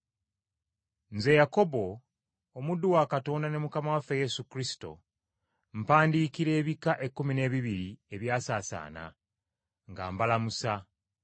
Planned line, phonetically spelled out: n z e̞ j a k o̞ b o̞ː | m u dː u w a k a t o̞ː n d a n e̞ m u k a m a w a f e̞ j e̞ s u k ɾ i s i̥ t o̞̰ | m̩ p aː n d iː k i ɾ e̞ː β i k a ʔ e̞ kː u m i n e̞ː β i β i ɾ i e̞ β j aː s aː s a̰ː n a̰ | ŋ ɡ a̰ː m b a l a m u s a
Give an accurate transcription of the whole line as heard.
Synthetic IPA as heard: n z e̞ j a k o̞ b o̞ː | m u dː u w a k a t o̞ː n d a n e̞ m u k a m a w a f e̞ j e̞ s u k ɾ i s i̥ t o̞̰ | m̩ p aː n d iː k i ɾ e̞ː β i k a ʔ e̞ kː u m i n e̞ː β i β i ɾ i e̞ β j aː s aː s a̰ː n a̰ | ŋ ɡ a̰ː m b a l a m u s a